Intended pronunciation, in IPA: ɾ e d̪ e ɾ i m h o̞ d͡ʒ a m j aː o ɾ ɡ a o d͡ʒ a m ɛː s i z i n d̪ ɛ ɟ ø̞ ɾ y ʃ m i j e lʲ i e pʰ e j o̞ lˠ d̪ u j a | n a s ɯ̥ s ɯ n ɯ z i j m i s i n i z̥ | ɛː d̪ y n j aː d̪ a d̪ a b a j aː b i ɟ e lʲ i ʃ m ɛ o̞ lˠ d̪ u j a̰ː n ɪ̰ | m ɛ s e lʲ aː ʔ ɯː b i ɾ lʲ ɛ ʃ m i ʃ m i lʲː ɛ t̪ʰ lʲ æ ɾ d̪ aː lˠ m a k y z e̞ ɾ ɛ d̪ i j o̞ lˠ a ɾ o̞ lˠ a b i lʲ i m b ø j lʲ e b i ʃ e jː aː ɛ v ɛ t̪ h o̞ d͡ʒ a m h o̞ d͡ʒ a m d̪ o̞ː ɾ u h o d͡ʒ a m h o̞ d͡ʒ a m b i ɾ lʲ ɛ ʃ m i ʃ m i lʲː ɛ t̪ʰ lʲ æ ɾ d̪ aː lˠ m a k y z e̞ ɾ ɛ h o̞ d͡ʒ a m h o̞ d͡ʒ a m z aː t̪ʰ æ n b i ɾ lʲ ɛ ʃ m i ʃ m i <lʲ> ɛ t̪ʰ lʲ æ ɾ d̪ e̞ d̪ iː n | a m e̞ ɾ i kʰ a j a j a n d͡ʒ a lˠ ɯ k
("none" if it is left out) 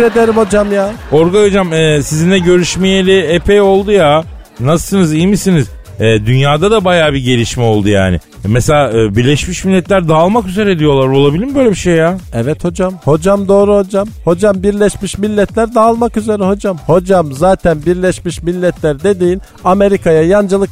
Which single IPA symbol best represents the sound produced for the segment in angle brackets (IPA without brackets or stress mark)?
lʲː